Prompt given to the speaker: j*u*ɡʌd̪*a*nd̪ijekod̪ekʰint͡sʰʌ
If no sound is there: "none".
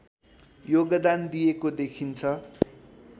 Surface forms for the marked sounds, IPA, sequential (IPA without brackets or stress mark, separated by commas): o, a